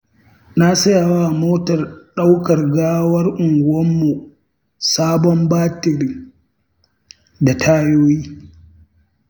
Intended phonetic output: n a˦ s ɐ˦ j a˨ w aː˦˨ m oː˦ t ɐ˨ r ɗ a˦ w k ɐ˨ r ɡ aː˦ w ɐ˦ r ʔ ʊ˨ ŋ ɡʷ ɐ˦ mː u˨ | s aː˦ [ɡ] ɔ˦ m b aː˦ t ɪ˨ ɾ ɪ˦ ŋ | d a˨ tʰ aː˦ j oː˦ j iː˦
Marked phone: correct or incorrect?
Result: incorrect